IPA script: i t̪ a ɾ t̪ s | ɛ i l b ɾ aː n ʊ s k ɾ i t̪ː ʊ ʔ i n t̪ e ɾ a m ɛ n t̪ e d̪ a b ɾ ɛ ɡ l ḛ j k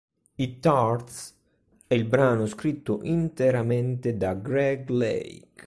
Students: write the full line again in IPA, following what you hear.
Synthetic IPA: i t̪ a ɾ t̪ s | ɛ i l b ɾ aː n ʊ s k ɾ i t̪ː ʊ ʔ i n t̪ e ɾ a m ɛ n t̪ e d̪ a ɡ ɾ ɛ ɡ l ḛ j k